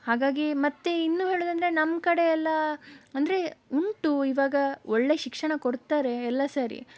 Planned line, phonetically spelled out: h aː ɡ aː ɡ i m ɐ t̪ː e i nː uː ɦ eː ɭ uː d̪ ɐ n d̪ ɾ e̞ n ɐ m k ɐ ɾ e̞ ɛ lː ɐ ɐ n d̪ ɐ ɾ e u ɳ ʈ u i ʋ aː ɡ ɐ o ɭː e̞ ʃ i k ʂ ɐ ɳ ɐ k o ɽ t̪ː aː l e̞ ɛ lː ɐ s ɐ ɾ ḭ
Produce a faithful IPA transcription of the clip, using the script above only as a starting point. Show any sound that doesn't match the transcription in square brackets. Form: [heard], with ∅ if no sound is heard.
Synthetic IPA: h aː ɡ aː ɡ i m ɐ t̪ː e i nː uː ɦ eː ɭ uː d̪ ɐ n d̪ ɾ e̞ n ɐ m k ɐ [ɽ] e̞ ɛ lː ɐ ɐ n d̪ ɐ ɾ e u ɳ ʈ u i ʋ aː ɡ ɐ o ɭː e̞ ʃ i k ʂ ɐ ɳ ɐ k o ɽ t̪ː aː [ɾ] e̞ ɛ lː ɐ s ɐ ɾ ḭ